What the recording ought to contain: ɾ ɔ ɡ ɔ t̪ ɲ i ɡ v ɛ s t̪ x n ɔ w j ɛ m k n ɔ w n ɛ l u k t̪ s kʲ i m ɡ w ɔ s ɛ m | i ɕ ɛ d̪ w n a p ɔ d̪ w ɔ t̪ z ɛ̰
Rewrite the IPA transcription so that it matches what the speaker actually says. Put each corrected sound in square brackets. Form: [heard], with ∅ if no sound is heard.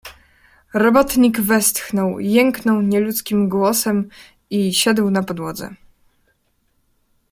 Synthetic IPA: ɾ ɔ [b] ɔ t̪ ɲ i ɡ v ɛ s t̪ x n ɔ w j ɛ [ŋ] k n ɔ w [ɲ] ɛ l u [∅] t̪ s kʲ i m ɡ w ɔ s ɛ m | i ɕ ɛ d̪ w n a p ɔ d̪ w ɔ [d̪] z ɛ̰